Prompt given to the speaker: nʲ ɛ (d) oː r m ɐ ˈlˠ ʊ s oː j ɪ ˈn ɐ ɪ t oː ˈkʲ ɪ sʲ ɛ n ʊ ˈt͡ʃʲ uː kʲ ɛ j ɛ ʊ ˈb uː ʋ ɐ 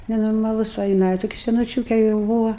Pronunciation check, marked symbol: incorrect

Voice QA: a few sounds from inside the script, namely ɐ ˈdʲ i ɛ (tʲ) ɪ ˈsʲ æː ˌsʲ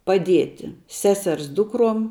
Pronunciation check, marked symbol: correct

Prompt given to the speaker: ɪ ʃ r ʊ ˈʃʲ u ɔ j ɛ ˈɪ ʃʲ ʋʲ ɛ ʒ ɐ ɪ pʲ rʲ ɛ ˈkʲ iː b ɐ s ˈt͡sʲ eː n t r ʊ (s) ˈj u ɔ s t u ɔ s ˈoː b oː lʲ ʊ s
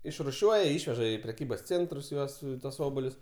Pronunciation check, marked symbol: correct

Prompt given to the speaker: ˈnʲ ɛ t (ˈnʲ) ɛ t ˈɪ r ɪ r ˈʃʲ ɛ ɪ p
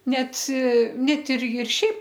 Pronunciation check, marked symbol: correct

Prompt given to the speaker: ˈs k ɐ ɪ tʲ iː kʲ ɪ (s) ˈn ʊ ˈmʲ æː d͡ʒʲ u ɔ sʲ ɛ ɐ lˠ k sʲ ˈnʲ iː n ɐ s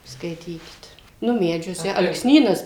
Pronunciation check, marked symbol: incorrect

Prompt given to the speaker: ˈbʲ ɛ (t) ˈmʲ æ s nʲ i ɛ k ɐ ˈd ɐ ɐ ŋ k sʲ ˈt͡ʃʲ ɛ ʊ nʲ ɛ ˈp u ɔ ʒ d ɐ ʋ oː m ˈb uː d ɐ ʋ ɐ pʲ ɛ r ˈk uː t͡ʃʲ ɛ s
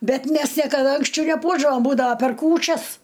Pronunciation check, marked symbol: correct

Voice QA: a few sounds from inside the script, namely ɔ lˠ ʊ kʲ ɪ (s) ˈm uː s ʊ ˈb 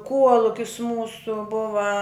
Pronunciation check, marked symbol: correct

